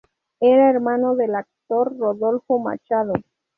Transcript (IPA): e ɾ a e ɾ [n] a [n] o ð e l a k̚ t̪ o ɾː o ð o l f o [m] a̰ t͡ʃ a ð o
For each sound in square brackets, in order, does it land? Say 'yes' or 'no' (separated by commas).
no, yes, yes